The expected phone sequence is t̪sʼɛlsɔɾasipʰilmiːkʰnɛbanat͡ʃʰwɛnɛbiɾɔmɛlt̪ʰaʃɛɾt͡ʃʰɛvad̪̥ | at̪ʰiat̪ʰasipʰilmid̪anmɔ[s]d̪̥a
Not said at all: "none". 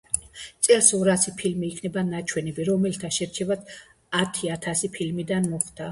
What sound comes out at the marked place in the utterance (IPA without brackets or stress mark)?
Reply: χ